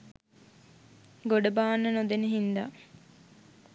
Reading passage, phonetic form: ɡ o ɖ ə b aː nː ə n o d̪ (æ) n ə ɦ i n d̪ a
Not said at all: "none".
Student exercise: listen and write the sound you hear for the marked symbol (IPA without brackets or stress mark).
e